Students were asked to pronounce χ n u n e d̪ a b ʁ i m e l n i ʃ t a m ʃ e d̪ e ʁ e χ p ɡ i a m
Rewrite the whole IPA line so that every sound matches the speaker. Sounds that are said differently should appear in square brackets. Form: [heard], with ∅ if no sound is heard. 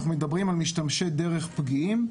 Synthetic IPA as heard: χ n u [m] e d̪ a b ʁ i m [a] l [m] i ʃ t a m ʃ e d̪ e ʁ e χ p ɡ i [i] m